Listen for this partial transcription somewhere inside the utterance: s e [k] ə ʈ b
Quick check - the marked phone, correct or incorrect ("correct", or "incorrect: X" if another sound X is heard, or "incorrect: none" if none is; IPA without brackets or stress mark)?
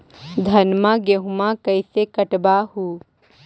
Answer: correct